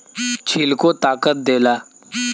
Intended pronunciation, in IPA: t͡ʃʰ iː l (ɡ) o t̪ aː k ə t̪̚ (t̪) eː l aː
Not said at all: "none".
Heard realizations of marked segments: k, d̪

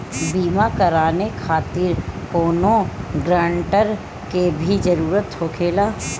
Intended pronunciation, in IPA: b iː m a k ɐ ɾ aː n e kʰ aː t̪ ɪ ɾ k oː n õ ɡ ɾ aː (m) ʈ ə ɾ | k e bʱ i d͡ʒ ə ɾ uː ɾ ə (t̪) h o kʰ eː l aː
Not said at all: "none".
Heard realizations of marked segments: ɳ, t̪

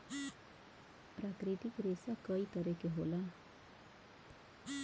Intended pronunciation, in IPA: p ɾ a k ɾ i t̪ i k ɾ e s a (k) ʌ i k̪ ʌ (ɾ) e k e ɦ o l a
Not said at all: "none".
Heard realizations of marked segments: k, ɾ

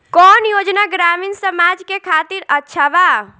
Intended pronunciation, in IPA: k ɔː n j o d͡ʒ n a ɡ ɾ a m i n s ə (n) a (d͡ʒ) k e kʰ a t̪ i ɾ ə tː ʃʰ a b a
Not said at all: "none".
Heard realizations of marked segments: m, d͡ʒ

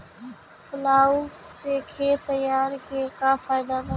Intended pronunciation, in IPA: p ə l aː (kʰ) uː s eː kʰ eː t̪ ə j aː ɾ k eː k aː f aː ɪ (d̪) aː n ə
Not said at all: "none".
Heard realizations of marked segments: none, d̪

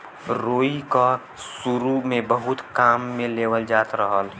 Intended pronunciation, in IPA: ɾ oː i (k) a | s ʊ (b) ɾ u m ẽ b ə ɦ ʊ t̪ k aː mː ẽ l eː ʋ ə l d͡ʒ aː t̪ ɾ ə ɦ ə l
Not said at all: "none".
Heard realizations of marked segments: k, none

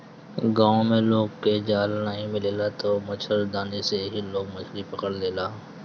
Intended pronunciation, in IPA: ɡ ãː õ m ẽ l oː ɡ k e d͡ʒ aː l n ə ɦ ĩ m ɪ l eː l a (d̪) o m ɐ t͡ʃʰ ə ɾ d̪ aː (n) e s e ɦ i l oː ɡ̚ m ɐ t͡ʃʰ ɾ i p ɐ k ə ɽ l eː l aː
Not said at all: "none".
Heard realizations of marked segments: t̪, n

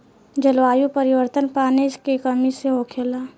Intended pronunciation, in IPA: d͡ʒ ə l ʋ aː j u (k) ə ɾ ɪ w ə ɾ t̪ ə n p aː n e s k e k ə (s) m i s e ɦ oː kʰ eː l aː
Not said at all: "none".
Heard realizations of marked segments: p, none

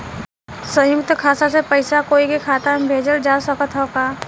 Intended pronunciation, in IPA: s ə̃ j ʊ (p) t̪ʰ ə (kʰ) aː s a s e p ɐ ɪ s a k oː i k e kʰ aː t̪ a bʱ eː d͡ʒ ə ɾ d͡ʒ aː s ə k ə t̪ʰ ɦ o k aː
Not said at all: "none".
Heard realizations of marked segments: k, kʰ

